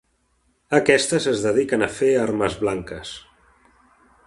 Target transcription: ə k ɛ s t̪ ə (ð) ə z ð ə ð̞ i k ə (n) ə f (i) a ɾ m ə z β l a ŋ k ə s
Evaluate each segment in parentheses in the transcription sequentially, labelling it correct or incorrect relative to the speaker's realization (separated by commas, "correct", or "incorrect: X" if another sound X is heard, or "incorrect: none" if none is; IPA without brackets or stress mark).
incorrect: z, correct, incorrect: e